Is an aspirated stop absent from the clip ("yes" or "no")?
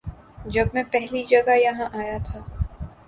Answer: no